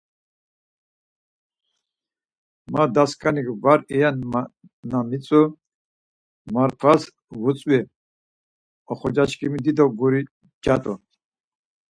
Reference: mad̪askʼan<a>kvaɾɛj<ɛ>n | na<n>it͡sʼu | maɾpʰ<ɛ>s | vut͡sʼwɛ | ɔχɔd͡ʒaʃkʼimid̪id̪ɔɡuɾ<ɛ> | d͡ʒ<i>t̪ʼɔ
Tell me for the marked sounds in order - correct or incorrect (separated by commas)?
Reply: incorrect, incorrect, incorrect, incorrect, incorrect, incorrect